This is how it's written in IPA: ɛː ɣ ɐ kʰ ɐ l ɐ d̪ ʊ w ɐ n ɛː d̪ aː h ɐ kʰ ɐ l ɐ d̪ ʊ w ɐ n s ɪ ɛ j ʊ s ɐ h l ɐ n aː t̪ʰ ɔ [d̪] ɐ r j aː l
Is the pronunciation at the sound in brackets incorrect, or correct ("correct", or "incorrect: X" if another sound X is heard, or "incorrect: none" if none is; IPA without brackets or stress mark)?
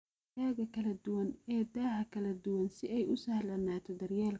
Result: correct